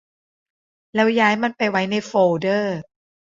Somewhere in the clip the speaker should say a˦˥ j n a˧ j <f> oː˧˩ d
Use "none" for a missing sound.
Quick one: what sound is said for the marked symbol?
f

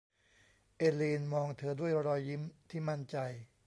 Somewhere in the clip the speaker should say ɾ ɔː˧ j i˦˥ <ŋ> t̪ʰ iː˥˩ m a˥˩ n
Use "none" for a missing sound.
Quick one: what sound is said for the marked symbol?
m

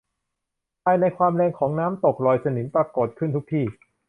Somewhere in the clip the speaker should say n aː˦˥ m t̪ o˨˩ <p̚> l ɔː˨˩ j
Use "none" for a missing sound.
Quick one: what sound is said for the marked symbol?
k̚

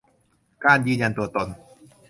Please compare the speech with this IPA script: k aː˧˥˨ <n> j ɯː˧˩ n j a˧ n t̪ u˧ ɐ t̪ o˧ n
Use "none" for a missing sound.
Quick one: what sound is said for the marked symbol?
n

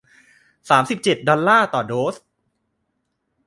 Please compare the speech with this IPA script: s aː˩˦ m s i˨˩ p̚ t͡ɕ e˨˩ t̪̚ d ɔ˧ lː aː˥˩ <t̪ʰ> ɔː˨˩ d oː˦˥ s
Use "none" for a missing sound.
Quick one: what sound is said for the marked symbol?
t̪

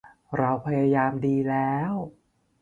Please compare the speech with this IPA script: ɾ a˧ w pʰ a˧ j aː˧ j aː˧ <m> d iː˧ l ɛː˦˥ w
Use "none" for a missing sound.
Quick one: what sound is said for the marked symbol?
m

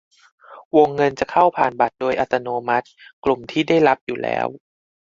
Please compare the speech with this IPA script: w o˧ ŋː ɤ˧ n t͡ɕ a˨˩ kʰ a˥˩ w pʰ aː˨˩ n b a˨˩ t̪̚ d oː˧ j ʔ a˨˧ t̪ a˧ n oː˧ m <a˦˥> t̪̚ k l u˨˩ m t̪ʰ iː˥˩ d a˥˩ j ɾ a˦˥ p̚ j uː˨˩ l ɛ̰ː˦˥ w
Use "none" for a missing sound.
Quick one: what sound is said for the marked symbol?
a˦˥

